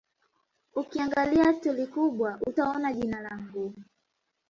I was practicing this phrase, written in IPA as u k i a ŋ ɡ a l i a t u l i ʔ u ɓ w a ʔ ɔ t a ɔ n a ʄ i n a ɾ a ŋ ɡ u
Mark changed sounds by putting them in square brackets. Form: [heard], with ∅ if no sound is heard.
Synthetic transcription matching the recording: u k i a ŋ ɡ a l i a t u l i [k] u ɓ w a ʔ [u] t a ɔ n a ʄ i n a [l] a ŋ ɡ u